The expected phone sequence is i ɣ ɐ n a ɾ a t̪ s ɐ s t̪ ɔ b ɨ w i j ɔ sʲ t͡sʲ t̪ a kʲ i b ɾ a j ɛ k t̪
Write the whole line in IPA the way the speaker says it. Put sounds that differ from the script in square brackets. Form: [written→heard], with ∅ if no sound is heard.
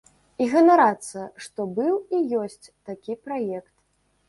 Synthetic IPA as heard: i ɣ ɐ n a ɾ a t̪ s ɐ [s→ʂ] t̪ ɔ b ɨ w i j ɔ sʲ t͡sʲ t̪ a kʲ i [b→p] ɾ a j ɛ k t̪